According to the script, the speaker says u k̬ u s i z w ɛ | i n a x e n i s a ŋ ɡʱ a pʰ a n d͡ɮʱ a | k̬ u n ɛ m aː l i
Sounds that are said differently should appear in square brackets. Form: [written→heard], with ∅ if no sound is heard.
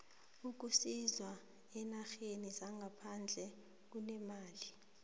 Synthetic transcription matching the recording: u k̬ u s i z w [ɛ→a] | [i→ɛ] n a x e n i [s→z] a ŋ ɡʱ a pʰ a n d͡ɮʱ [a→ɛ] | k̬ u n ɛ m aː l i